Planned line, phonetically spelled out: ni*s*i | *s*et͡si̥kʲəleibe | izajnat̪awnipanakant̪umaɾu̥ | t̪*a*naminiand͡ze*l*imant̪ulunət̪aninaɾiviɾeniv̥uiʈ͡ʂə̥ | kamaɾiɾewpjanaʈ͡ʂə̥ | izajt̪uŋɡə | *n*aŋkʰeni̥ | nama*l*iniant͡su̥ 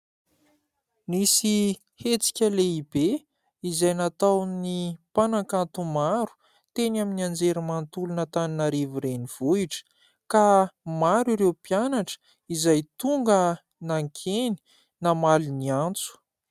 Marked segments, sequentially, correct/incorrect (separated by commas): correct, incorrect, incorrect, incorrect, correct, correct